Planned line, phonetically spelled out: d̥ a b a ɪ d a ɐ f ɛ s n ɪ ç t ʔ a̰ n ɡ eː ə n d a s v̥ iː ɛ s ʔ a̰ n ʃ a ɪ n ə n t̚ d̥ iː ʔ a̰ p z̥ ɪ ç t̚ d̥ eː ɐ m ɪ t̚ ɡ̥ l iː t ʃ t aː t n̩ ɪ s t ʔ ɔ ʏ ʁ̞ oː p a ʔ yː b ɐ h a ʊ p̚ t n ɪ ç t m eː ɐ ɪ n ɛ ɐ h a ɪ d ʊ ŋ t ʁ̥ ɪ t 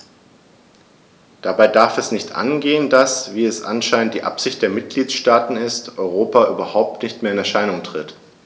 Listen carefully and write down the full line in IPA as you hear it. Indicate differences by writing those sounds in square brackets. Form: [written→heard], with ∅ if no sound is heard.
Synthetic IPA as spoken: d̥ a b a ɪ d a ɐ f ɛ s n ɪ ç t ʔ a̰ n ɡ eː ə n d a s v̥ iː ɛ s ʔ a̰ n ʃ a ɪ n ə n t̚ d̥ iː ʔ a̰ p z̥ ɪ ç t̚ d̥ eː ɐ m ɪ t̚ ɡ̥ l iː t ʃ t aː t n̩ ɪ s t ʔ ɔ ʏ ʁ̞ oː p a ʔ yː b ɐ h a ʊ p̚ t n ɪ ç t m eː ɐ ɪ n ɛ ɐ [h→ʃ] a ɪ [d→n] ʊ ŋ t ʁ̥ ɪ t